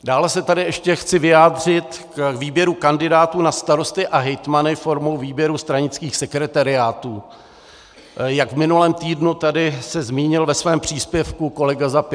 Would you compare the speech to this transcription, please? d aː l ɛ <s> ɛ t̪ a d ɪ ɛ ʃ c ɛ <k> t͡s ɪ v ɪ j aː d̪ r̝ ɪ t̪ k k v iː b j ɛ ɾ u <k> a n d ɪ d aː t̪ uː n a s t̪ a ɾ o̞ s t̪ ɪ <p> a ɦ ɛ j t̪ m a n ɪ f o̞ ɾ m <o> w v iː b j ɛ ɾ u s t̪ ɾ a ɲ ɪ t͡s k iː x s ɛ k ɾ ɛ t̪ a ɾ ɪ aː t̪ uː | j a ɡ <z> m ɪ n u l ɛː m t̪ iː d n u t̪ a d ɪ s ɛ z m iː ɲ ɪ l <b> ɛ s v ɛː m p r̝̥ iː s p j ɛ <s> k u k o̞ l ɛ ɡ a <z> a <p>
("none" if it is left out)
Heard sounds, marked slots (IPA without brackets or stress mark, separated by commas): s, x, k, ʔ, o, v, v, f, z, p